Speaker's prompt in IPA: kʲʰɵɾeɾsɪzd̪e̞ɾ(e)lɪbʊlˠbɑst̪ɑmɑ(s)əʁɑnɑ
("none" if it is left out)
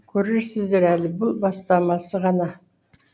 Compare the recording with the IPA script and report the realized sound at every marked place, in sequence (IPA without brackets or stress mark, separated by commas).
æ, s